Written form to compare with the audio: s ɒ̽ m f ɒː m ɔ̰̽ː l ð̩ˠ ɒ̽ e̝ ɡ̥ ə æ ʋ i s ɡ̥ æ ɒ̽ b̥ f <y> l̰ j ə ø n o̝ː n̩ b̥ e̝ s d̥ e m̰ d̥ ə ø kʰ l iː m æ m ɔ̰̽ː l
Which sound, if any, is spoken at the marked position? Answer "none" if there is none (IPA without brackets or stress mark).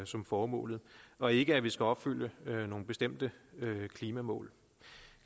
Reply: y